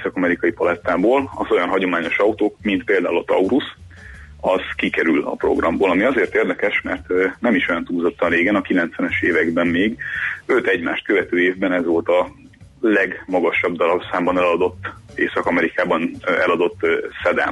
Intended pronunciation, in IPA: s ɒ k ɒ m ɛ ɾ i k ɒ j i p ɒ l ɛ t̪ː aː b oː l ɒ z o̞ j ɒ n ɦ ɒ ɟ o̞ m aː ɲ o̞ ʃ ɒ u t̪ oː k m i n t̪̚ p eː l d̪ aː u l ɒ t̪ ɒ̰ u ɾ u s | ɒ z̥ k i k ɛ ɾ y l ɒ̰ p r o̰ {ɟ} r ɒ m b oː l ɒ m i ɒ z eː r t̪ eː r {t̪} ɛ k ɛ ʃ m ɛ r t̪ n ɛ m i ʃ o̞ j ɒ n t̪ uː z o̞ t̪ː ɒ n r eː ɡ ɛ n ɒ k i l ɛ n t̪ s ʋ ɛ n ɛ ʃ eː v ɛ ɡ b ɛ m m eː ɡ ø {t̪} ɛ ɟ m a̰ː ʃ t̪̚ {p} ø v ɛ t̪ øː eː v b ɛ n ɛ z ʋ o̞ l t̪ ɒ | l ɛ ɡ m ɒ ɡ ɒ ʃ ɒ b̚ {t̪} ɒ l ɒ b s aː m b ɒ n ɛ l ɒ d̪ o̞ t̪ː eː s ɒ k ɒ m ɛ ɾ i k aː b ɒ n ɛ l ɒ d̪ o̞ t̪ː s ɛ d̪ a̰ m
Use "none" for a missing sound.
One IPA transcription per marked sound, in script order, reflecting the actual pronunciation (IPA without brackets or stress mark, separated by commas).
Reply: ɡ, d̪, t̪, k, d̪